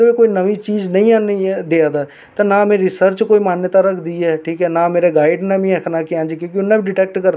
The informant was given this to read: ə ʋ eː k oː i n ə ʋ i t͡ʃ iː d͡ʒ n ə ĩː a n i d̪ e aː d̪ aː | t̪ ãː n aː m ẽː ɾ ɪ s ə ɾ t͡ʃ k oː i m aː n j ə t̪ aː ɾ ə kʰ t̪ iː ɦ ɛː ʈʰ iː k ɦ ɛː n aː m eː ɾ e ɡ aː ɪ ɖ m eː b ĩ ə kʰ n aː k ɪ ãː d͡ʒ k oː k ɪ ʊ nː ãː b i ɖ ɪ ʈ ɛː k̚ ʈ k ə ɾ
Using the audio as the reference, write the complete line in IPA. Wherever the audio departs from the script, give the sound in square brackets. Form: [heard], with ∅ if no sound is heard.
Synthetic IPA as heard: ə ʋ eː k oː i n ə ʋ i t͡ʃ iː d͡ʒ n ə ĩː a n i d̪ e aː d̪ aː | t̪ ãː n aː m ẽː ɾ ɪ s ə ɾ t͡ʃ k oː i m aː n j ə t̪ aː ɾ ə kʰ [d̪] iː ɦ ɛː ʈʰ iː k ɦ ɛː n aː m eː ɾ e ɡ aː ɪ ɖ [n] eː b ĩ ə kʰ n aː k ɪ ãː d͡ʒ k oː k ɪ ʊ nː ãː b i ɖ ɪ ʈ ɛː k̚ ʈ k ə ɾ